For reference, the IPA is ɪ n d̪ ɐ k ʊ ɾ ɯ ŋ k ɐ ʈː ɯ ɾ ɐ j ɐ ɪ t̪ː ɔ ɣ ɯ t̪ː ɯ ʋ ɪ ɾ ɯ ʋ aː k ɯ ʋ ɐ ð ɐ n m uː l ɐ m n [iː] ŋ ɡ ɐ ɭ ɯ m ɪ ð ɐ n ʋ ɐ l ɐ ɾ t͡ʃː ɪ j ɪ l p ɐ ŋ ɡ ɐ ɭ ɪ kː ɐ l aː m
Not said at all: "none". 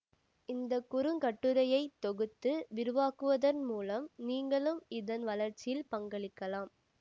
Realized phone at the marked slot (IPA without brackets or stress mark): iː